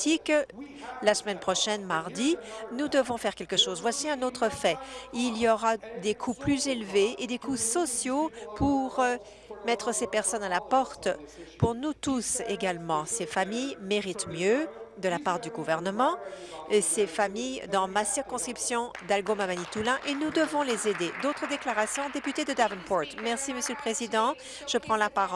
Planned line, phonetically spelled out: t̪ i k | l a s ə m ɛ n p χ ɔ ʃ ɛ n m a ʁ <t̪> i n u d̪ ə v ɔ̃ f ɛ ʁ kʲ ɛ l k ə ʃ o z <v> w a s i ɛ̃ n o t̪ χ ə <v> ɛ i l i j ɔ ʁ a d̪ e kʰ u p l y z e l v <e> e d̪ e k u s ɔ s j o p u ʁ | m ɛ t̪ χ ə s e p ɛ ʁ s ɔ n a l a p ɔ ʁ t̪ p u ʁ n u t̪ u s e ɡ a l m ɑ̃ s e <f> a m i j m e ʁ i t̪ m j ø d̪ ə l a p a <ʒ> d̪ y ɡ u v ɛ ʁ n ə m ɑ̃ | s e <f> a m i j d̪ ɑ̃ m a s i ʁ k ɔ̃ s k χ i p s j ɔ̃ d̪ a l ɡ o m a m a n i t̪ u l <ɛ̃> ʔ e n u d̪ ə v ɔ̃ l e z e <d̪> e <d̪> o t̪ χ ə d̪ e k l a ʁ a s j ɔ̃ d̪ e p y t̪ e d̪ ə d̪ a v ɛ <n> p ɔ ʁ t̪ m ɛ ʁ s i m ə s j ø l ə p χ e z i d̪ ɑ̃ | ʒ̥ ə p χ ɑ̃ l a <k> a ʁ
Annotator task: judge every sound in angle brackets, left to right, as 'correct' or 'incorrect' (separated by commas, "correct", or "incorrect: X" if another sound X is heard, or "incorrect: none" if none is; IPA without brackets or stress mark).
incorrect: d̪, correct, incorrect: f, correct, correct, incorrect: ʁ, correct, correct, correct, correct, correct, incorrect: p